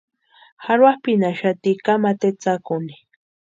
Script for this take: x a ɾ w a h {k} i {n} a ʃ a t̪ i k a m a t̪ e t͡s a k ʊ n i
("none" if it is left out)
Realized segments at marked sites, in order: p, n

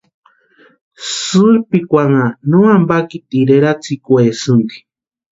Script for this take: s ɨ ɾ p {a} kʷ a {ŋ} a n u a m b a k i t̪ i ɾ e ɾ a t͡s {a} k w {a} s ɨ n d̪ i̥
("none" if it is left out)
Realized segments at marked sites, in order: i, ŋ, i, e

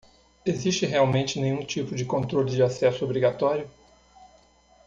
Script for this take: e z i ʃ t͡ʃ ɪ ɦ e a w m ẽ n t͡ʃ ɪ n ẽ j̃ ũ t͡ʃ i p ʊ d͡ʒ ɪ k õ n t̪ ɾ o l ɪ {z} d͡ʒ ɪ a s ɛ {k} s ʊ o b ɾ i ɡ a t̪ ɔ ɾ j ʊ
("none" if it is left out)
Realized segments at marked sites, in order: none, none

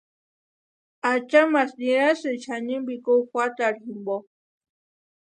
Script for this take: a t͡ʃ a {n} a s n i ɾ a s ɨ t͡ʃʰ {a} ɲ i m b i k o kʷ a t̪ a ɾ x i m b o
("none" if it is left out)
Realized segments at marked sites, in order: m, a

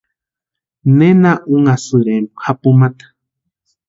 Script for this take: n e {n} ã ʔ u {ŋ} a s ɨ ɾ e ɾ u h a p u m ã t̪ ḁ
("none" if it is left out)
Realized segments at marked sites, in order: n, ŋ

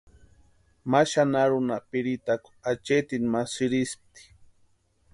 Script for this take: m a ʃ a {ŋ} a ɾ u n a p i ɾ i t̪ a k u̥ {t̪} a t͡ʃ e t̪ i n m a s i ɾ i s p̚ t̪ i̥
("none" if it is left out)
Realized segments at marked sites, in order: n, none

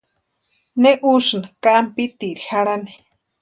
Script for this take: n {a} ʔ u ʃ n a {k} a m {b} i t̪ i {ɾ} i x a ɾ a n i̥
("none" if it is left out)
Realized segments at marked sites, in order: e, k, p, ɾ

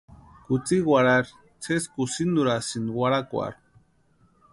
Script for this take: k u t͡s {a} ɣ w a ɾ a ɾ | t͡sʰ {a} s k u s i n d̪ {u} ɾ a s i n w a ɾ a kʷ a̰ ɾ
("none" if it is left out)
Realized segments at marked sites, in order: i, e, u

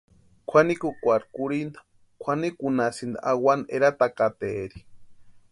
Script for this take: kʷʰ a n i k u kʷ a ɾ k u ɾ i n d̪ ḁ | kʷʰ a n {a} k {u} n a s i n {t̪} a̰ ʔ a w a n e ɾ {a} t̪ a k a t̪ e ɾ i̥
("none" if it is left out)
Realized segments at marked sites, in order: i, u, d̪, a

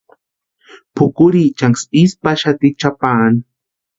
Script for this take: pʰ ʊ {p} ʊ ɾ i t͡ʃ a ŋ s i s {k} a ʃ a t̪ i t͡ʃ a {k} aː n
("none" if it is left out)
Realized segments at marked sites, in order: k, p, p

